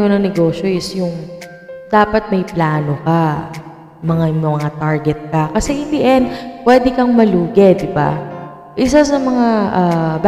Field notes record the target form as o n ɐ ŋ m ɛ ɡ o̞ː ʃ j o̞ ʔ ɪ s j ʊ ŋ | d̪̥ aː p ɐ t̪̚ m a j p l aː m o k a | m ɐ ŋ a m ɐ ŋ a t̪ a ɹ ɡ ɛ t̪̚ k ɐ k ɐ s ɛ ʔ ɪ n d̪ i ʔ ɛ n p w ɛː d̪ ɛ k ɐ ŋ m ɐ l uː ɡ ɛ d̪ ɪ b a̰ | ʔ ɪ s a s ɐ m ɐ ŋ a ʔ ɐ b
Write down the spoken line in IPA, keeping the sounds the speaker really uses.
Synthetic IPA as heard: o n ɐ ŋ n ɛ ɡ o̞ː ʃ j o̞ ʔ ɪ s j ʊ ŋ | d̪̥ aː p ɐ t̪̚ m ɐ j p l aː n o k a | m ɐ ŋ a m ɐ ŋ a t̪ a ɹ ɡ ɛ t̪̚ k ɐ k ɐ s ɛ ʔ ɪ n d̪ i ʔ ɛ n p w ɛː d̪ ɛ k ɐ ŋ m ɐ l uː ɡ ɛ d̪ ɪ b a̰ | ʔ ɪ s a s ɐ m ɐ ŋ a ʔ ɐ b